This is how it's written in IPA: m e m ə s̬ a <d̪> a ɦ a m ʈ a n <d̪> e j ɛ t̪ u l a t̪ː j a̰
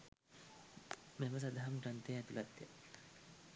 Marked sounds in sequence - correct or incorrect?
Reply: correct, incorrect: t̪

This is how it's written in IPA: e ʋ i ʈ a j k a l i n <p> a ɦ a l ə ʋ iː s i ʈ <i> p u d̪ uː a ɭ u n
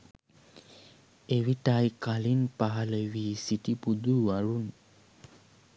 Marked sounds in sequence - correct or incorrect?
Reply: correct, correct

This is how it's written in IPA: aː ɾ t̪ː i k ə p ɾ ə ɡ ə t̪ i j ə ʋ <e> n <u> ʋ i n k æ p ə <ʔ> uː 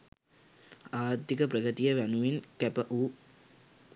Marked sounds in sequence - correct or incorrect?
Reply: incorrect: æ, correct, correct

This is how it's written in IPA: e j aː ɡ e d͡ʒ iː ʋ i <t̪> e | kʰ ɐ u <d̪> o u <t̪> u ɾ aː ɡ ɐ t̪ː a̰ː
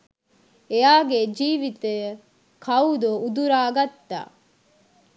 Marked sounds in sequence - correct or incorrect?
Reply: correct, correct, incorrect: d̪

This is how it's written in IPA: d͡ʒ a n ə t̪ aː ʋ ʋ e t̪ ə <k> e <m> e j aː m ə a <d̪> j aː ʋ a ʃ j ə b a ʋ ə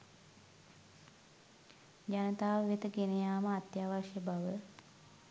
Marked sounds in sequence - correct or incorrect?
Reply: incorrect: ɡ, incorrect: n, incorrect: t̪

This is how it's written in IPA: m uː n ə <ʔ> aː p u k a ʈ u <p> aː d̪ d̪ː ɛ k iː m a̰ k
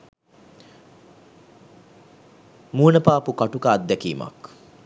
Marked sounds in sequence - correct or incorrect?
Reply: incorrect: p, incorrect: k

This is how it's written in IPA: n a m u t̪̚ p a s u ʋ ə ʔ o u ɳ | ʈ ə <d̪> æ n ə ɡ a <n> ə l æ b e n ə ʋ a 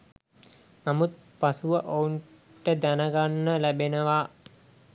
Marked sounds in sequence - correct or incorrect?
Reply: correct, incorrect: nː

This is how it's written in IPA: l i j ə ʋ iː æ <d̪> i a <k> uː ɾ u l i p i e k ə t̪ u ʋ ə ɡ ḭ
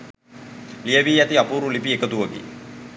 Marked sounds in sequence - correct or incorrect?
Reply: incorrect: t̪, incorrect: p

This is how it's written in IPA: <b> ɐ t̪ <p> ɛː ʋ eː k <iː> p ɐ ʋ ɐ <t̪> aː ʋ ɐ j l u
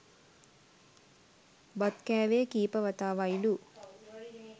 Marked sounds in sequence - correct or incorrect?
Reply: correct, incorrect: k, correct, correct

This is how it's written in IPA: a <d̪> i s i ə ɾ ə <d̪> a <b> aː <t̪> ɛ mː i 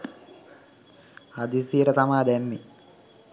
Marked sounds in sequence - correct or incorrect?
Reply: correct, incorrect: t̪, incorrect: m, incorrect: d̪

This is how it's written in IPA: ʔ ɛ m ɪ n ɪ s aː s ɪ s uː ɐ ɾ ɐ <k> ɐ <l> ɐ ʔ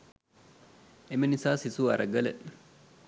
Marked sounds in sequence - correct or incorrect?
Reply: incorrect: ɡ, correct

